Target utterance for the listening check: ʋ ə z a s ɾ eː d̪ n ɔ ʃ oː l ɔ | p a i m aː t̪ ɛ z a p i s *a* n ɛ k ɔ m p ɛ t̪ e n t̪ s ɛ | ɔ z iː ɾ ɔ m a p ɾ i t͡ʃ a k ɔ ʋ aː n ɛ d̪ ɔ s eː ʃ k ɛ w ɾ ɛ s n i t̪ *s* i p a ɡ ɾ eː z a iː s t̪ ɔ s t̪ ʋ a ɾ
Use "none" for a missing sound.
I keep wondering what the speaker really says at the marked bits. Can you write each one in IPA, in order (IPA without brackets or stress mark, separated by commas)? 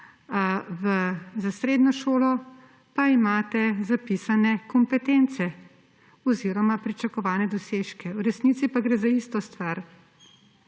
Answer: a, s